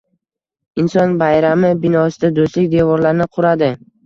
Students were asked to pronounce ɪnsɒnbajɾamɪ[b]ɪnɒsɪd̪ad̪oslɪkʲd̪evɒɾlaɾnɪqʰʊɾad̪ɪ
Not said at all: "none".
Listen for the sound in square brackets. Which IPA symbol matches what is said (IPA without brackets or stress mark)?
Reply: b